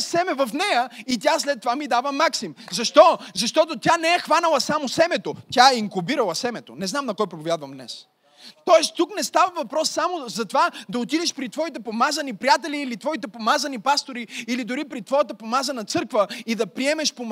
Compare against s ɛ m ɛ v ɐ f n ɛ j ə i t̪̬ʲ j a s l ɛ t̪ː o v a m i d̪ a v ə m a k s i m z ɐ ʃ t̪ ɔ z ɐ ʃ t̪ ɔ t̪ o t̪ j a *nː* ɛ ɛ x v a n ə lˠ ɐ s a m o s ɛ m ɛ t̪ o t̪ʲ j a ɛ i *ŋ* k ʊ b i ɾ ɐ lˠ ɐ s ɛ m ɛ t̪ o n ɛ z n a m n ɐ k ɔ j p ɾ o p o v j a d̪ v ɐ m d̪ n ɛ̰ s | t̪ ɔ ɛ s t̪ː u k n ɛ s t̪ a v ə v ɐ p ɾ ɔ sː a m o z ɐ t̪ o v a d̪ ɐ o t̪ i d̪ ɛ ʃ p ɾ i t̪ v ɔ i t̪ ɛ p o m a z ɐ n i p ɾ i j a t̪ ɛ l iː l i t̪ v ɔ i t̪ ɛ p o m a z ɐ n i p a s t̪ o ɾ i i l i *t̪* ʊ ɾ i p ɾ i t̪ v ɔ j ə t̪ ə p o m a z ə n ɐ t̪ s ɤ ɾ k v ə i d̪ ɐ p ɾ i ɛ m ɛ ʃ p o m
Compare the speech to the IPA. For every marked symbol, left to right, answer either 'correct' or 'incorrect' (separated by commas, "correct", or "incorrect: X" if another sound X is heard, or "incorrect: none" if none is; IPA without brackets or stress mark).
incorrect: n, correct, incorrect: d̪